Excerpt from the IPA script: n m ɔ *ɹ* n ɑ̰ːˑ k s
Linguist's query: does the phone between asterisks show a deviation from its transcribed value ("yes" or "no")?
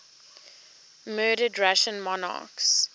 yes